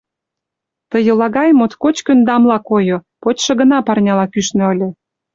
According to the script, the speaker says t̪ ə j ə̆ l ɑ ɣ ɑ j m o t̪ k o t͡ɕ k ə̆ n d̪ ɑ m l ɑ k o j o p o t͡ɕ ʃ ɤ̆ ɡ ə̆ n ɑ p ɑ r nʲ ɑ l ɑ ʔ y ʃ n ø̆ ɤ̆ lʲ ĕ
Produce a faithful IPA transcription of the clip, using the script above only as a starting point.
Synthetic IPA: t̪ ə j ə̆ l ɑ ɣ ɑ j m o t̪ k o t͡ɕ k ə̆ n d̪ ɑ m l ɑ k o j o p o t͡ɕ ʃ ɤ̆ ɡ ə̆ n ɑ p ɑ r nʲ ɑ l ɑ k y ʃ n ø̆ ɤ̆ lʲ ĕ